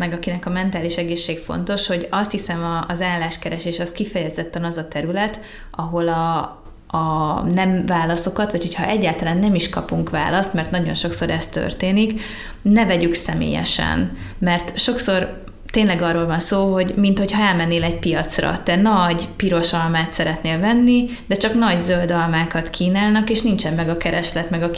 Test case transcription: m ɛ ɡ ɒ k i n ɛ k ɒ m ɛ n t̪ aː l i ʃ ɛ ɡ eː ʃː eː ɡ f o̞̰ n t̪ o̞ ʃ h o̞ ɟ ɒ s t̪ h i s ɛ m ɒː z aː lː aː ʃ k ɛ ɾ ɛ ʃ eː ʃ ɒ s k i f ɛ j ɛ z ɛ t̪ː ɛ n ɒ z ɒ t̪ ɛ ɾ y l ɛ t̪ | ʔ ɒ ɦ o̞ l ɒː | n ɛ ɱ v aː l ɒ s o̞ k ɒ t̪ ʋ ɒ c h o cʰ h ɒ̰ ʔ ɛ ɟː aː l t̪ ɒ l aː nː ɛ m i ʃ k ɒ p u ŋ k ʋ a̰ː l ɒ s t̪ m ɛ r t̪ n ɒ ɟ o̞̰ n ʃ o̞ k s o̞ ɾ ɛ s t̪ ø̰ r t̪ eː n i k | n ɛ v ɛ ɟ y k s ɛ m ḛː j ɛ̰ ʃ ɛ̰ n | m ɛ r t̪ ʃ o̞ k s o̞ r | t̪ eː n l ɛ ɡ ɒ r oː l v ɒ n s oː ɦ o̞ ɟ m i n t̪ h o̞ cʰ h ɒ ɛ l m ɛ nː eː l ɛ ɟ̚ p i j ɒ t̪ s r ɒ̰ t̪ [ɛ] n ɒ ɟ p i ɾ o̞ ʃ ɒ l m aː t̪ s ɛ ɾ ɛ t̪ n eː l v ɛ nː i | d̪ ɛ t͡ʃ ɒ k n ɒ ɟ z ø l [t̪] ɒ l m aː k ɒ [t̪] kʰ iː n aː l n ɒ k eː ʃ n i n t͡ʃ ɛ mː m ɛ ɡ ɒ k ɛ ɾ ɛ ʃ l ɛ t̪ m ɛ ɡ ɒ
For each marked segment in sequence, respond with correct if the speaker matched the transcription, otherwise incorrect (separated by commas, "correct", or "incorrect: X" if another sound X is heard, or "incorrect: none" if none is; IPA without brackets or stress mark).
correct, incorrect: d̪, correct